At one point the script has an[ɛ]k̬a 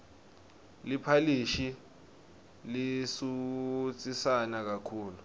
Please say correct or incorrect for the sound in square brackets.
incorrect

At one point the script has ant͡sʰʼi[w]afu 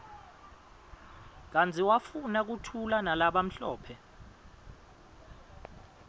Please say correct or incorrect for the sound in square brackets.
correct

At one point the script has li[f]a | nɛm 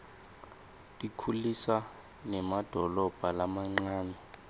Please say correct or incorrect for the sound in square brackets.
incorrect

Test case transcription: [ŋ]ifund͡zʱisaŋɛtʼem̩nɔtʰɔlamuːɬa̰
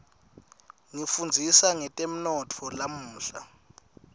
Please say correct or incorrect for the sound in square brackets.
correct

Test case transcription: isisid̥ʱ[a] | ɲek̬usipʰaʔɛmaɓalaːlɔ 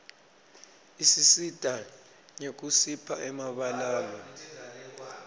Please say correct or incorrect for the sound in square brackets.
correct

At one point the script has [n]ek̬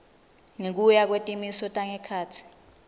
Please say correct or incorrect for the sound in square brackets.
incorrect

